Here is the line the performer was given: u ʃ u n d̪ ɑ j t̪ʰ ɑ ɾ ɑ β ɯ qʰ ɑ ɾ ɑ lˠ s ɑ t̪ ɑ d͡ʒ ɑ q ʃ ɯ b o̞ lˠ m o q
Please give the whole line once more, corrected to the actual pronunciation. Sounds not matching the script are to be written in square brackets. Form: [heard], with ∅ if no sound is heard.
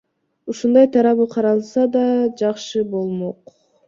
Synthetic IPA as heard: u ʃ u n d̪ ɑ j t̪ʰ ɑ ɾ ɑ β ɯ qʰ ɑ ɾ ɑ lˠ s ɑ [d̪] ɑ d͡ʒ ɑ q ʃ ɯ b o̞ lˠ m o q